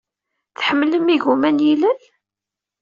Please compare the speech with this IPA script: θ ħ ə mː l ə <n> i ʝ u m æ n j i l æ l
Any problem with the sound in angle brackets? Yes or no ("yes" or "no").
yes